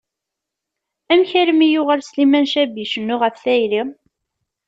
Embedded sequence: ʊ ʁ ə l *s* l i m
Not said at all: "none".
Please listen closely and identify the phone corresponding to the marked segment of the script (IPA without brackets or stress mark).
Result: s